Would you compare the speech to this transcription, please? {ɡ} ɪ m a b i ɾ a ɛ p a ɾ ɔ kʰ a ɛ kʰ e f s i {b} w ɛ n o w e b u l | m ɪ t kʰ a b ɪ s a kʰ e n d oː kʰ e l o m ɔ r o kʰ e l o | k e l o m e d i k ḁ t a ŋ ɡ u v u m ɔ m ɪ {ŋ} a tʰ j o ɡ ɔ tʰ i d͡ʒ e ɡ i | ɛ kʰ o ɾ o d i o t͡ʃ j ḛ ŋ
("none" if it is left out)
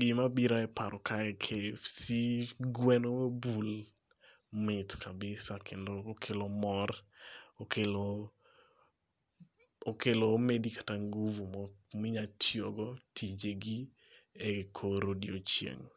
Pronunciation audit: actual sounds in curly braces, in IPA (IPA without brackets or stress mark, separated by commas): ɡ, ɡ, ɲ